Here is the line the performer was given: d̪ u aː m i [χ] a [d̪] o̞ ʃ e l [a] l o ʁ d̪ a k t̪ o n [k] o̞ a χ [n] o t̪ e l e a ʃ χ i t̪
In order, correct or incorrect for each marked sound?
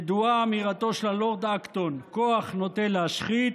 incorrect: ʁ, incorrect: t̪, correct, correct, correct

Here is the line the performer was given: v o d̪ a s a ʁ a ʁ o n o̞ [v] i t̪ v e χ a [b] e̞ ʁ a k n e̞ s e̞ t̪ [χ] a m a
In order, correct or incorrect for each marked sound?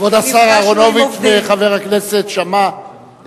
correct, incorrect: v, incorrect: ʃ

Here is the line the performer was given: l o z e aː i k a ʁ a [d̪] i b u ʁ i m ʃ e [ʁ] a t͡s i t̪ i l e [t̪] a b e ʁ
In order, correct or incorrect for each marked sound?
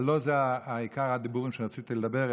correct, correct, incorrect: d̪

